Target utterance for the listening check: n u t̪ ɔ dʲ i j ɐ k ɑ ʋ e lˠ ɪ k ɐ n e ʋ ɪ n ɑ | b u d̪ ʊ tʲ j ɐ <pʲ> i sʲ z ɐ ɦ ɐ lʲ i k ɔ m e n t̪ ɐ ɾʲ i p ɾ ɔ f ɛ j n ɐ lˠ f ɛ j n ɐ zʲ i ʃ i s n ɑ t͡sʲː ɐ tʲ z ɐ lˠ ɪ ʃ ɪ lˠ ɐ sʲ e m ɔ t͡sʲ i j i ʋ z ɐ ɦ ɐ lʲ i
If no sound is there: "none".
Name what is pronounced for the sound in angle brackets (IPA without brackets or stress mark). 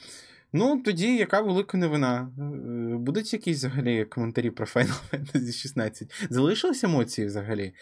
kʲ